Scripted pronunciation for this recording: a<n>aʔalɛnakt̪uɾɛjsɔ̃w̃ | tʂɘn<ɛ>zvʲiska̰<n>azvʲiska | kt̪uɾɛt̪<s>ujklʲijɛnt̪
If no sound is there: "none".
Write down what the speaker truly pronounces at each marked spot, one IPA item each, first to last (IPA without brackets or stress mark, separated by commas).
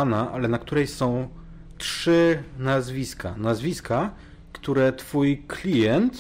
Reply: n, a, n, f